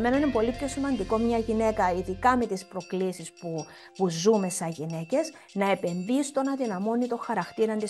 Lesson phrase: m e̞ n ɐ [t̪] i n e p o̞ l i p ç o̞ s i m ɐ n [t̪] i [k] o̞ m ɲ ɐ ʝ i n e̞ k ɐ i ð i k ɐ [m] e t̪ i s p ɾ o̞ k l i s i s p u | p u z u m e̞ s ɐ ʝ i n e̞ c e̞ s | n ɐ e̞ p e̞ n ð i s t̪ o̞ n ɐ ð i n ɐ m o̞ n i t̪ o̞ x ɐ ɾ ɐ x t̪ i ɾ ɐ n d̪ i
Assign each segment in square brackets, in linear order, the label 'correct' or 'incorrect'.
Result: incorrect: none, incorrect: d̪, correct, correct

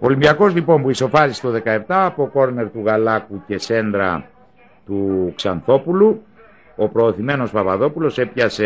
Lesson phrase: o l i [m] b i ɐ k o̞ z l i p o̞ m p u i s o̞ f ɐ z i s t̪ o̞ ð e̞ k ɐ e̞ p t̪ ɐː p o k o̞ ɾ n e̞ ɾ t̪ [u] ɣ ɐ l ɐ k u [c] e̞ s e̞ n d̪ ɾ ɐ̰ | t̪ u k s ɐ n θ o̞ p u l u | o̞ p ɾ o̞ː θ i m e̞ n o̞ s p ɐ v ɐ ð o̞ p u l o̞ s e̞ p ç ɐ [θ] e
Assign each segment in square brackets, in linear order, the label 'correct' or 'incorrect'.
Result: correct, correct, correct, incorrect: s

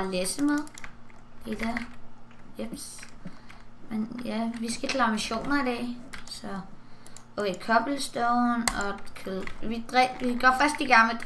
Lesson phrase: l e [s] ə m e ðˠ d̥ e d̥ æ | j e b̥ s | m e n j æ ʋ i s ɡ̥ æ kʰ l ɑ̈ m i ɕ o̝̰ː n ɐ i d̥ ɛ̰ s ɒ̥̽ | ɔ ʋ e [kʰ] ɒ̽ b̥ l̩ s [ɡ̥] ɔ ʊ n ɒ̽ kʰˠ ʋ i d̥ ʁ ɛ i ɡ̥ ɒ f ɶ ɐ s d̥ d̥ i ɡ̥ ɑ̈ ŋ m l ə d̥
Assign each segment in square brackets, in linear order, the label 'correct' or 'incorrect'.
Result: correct, correct, incorrect: d̥

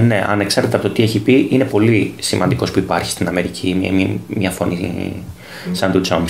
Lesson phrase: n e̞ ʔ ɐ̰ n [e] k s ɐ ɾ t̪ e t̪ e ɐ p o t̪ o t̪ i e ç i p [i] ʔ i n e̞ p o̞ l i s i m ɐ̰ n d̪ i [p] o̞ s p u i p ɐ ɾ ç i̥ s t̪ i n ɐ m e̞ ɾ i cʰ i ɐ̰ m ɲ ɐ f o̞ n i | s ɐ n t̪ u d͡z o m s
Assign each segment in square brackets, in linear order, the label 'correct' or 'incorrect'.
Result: correct, correct, incorrect: k

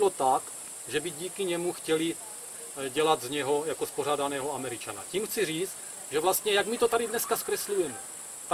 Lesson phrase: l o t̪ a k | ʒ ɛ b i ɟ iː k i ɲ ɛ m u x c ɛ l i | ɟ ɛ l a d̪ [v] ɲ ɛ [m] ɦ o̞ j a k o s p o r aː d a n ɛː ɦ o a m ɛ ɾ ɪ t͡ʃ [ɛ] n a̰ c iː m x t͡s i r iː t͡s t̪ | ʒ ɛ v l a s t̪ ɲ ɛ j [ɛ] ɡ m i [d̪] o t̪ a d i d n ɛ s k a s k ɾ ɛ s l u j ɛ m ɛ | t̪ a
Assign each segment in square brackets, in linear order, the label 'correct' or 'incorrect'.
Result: incorrect: z, incorrect: none, incorrect: a, incorrect: a, incorrect: t̪

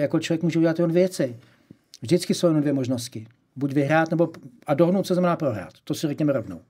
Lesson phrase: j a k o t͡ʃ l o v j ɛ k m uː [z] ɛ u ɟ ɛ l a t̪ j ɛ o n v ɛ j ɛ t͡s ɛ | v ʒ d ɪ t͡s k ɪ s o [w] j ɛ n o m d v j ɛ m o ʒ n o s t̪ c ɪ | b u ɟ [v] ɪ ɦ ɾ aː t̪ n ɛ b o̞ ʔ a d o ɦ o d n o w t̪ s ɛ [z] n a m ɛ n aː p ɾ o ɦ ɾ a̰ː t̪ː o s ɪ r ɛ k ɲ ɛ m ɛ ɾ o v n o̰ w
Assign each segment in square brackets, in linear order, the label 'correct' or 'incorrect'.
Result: incorrect: ʒ, correct, correct, correct

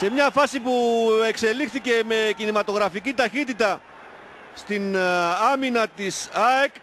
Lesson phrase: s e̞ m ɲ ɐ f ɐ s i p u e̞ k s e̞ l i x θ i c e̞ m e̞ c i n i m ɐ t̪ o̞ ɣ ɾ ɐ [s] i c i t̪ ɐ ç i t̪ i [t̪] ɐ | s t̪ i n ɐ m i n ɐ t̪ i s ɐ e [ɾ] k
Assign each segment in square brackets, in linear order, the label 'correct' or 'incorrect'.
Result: incorrect: f, correct, incorrect: none

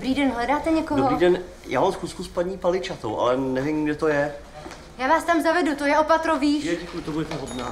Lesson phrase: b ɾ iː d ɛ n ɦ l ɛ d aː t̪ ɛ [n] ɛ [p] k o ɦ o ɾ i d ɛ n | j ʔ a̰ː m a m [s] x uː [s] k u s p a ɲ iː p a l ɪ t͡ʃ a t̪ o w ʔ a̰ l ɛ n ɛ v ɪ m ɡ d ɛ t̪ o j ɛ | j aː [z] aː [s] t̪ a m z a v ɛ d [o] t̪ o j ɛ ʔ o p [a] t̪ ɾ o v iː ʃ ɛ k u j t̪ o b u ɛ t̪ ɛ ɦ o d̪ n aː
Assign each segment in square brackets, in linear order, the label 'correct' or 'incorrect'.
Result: incorrect: ɲ, incorrect: none, correct, correct, incorrect: v, correct, incorrect: u, correct

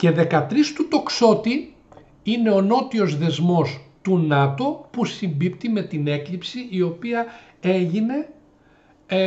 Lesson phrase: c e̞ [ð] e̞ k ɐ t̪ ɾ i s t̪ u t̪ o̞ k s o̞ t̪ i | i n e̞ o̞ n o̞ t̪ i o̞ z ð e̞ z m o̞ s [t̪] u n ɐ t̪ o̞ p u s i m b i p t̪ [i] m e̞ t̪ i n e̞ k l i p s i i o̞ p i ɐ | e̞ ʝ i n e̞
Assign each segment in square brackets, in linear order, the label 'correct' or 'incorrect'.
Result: correct, correct, correct

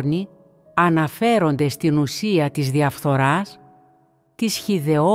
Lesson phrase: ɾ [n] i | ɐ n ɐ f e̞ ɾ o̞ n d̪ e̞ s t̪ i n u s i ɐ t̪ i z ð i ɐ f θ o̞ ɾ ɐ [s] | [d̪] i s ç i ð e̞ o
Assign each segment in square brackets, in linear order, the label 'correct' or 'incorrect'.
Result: correct, correct, incorrect: t̪

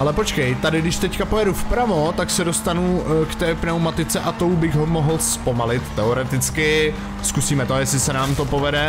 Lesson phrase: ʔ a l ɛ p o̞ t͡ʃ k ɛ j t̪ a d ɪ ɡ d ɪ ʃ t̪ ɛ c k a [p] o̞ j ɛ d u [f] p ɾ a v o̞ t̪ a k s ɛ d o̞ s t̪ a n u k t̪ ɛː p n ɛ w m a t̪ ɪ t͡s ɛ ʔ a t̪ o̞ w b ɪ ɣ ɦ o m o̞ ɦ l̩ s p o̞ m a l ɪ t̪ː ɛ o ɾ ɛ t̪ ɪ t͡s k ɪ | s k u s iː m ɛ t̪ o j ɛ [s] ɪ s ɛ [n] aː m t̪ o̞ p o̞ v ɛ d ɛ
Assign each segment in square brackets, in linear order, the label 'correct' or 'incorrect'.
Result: correct, correct, correct, correct

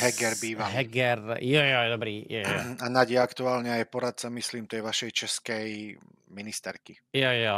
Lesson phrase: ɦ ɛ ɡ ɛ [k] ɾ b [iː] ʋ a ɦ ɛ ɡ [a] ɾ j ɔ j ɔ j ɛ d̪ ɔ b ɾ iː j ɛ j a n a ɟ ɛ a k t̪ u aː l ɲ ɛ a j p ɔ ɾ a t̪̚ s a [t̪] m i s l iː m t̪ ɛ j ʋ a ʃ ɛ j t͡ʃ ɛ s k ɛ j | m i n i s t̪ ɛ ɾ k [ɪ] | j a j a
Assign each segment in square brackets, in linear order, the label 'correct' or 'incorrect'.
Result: incorrect: none, correct, incorrect: ɛ, incorrect: none, incorrect: i

